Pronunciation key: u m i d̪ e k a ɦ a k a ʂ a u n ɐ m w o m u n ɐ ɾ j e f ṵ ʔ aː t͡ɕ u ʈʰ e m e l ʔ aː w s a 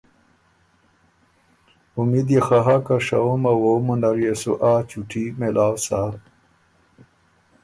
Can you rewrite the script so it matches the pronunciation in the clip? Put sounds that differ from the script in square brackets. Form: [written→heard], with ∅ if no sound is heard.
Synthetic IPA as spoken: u m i d̪ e [k→x] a ɦ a k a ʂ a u [n→m] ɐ [m→∅] w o m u n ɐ ɾ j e [f→s] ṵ ʔ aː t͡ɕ u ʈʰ [e→i] m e l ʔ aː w s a